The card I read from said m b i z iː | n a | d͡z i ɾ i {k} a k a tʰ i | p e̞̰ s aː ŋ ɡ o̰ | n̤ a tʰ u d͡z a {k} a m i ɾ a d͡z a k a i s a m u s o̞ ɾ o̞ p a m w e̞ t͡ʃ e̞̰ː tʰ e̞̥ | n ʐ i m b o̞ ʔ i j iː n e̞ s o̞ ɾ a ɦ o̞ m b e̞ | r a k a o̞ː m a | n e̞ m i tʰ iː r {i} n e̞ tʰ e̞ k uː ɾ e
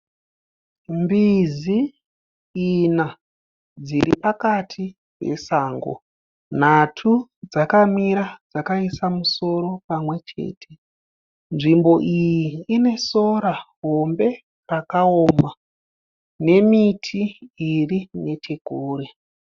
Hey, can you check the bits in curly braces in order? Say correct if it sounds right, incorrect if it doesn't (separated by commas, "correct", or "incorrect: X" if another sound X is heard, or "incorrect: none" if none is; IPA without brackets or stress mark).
incorrect: p, correct, correct